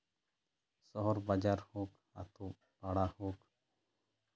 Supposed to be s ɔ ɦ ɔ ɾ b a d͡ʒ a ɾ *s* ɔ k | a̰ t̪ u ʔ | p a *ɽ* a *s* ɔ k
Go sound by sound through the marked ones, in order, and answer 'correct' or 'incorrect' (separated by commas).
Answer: incorrect, correct, incorrect